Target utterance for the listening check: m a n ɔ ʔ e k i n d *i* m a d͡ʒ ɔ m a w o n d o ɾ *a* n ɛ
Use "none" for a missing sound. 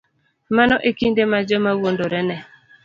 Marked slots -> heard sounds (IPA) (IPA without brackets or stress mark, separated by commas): e, ɛ